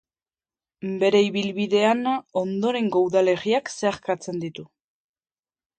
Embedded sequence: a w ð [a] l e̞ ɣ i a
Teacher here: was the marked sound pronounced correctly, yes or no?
yes